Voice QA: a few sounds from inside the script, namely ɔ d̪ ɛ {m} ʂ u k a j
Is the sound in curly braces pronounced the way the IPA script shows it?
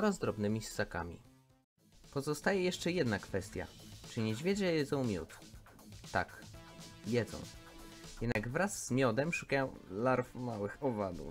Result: yes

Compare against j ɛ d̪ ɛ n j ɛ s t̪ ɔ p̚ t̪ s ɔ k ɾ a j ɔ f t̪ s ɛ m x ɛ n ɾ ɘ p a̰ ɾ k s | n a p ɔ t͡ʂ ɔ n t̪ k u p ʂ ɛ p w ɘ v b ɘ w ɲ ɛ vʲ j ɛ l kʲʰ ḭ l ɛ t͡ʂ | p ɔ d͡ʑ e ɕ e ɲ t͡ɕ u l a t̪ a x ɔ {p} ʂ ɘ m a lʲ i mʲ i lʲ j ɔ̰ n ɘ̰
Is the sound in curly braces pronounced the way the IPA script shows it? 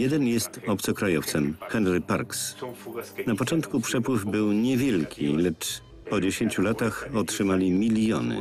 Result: no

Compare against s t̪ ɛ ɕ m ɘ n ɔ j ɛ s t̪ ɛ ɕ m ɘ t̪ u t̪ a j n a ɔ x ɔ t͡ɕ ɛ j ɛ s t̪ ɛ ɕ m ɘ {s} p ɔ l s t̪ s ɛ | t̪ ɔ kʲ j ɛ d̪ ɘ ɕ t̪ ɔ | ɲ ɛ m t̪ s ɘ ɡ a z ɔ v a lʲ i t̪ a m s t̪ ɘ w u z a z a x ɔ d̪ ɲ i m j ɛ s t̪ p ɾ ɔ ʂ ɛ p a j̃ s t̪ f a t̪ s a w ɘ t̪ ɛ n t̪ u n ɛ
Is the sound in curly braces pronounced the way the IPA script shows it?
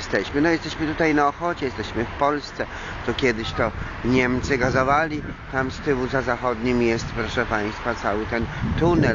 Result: no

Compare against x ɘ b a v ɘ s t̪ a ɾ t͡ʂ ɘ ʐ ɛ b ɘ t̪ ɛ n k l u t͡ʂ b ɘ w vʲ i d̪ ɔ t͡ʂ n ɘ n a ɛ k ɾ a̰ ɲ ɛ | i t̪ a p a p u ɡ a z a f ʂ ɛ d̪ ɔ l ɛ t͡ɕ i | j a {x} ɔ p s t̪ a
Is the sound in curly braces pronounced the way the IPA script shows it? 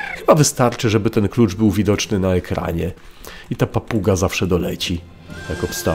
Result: no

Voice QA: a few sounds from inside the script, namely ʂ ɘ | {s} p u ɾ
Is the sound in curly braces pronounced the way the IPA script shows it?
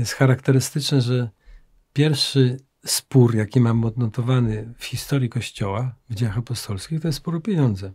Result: yes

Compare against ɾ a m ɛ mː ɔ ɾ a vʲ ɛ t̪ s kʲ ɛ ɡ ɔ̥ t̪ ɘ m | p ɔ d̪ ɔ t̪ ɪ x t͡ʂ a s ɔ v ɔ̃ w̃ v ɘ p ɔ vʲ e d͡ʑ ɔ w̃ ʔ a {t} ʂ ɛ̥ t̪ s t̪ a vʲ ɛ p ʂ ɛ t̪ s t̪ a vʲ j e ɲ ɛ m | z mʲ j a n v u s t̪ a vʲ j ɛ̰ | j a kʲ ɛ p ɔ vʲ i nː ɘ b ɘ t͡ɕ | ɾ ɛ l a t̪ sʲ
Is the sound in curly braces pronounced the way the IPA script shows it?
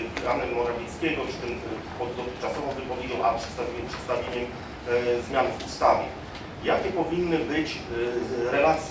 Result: no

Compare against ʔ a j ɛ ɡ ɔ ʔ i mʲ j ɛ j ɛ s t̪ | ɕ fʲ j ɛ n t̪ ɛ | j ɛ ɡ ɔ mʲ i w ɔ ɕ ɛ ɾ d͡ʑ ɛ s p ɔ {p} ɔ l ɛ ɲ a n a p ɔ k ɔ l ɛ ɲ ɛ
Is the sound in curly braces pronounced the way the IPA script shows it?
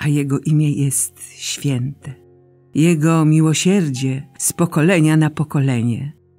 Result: no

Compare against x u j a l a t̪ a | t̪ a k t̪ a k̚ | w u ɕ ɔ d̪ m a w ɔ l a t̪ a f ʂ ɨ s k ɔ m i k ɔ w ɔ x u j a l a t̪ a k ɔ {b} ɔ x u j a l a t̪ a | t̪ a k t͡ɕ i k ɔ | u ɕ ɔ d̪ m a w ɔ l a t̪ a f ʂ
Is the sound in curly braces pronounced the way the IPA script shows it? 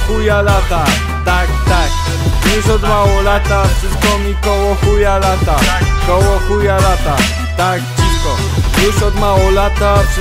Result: no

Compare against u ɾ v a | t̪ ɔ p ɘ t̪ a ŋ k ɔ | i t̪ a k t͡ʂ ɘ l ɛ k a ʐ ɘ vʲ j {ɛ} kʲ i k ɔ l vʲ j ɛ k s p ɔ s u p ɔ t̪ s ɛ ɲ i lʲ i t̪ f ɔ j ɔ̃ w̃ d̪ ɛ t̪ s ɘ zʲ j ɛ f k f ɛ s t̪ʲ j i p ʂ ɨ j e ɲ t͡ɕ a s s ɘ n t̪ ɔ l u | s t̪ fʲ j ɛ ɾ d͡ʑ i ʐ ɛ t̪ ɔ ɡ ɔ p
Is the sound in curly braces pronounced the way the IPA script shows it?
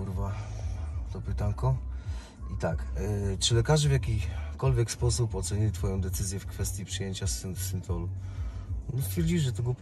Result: no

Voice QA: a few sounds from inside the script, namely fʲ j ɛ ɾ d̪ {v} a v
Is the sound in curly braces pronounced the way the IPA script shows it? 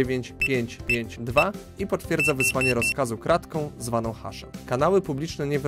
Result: no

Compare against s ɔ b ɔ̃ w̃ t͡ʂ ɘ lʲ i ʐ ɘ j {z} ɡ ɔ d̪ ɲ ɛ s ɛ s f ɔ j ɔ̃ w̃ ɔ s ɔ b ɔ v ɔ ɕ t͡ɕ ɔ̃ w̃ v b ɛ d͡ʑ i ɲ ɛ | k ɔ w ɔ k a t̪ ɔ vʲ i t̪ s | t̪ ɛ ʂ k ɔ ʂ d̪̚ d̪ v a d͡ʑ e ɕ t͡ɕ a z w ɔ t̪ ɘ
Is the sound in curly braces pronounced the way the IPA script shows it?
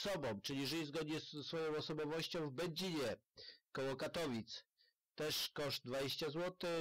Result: yes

